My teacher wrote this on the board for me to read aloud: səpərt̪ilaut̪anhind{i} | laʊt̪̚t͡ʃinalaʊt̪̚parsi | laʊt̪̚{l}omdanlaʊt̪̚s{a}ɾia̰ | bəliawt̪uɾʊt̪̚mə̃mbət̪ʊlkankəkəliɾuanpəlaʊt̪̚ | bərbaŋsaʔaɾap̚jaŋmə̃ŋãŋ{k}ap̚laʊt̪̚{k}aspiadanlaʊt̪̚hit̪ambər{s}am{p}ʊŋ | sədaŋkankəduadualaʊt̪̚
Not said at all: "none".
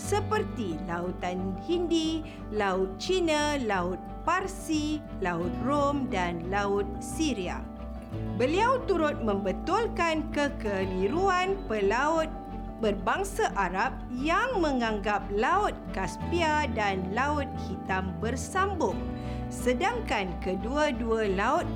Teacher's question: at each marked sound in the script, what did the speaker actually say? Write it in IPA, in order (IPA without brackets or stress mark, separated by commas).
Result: i, r, i, ɡ, k, s, b